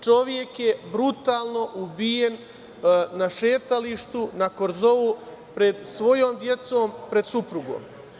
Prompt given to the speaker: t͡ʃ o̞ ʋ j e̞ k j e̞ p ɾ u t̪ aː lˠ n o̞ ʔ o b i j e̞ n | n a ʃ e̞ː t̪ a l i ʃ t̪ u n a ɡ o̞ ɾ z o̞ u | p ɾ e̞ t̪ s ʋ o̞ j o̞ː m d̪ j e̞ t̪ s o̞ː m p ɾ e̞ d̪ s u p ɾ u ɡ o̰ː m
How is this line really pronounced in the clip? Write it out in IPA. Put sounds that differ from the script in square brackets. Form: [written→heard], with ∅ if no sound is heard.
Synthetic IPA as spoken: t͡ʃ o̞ ʋ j e̞ k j e̞ [p→b] ɾ u t̪ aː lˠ n o̞ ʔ [o→u] b i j e̞ n | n a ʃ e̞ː t̪ a l i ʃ t̪ u n a [ɡ→k] o̞ ɾ z o̞ u | p ɾ e̞ [t̪→d̪] s ʋ o̞ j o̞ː m d̪ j e̞ t̪ s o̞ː m p ɾ e̞ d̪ s u p ɾ u ɡ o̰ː m